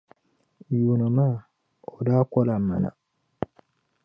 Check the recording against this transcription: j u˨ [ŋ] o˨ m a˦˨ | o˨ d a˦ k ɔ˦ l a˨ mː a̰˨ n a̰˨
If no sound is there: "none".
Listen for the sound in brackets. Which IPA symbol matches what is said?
n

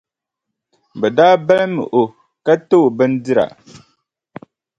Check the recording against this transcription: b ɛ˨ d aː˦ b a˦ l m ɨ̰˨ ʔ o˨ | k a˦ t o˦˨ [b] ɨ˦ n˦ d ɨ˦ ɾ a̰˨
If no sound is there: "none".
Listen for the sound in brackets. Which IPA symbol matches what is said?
b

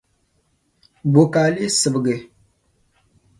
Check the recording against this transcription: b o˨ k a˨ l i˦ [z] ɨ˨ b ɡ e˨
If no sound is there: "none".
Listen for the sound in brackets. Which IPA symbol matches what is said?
s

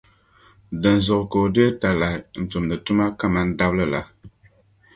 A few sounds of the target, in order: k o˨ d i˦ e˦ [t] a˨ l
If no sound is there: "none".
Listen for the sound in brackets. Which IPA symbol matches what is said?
t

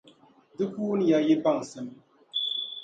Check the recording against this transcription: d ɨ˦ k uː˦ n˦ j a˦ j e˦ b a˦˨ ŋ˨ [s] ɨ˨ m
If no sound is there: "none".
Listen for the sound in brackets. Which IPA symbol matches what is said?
s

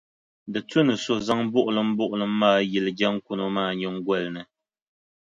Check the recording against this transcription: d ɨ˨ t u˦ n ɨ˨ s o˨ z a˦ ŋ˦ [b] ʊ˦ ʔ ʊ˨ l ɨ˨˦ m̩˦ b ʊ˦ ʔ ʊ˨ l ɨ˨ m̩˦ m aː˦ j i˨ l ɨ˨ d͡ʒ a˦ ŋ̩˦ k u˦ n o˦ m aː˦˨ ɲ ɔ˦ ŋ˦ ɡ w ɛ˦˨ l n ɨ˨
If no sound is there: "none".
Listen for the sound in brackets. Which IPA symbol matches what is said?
b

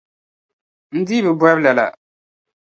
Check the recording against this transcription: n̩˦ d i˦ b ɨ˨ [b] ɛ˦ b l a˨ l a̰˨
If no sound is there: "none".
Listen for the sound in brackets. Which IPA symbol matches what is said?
b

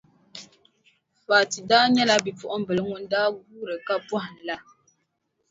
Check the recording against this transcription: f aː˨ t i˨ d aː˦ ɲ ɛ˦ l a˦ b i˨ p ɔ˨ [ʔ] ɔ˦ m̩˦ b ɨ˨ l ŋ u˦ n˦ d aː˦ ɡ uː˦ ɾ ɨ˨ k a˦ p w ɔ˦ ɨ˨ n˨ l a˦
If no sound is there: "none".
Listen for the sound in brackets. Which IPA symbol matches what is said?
ʔ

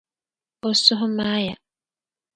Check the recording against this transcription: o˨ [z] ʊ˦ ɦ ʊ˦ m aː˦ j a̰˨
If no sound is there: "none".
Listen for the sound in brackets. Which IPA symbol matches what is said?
s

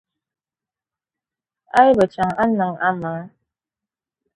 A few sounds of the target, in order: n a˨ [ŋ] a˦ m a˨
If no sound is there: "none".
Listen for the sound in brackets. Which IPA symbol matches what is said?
ŋ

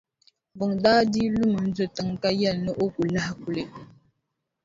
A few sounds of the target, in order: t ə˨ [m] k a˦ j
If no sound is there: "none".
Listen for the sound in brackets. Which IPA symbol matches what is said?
ŋ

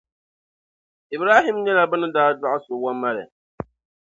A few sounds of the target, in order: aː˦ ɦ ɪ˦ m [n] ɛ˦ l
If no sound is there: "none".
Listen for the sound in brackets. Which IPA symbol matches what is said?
ɲ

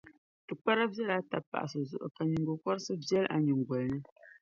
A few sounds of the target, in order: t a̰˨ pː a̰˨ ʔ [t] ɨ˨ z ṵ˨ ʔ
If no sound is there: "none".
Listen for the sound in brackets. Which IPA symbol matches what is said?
s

